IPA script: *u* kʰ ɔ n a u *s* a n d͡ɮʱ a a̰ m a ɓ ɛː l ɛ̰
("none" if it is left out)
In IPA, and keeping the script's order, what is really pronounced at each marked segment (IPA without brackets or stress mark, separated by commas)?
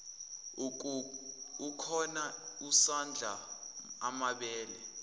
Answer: u, s